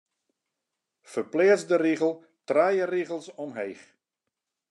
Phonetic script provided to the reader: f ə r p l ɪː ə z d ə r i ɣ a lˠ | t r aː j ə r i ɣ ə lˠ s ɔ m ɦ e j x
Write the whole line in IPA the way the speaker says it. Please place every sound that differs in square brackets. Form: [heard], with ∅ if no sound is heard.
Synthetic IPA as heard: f ə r p l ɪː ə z d ə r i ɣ [ə] lˠ | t r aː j ə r i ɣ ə lˠ s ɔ m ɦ e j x